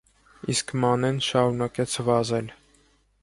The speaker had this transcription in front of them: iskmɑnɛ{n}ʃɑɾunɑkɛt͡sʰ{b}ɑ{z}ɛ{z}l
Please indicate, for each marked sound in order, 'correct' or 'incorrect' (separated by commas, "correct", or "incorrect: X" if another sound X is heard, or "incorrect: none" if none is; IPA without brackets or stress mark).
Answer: correct, incorrect: v, correct, incorrect: none